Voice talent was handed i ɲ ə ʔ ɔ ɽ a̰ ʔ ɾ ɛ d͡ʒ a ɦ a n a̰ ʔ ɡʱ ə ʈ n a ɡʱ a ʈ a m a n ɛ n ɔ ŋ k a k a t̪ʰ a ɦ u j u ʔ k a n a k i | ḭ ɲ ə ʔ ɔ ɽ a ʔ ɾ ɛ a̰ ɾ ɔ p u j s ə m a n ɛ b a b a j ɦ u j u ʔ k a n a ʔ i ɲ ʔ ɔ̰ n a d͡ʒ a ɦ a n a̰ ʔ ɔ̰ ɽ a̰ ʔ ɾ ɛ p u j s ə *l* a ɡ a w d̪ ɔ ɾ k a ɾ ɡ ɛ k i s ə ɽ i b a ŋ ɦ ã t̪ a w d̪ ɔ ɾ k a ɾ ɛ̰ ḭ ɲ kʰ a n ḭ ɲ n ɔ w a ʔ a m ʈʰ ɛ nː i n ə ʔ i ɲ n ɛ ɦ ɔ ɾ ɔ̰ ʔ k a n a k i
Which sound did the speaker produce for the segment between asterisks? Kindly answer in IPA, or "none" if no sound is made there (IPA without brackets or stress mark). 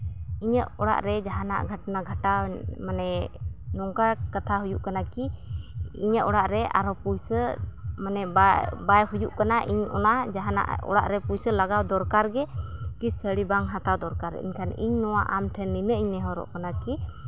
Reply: l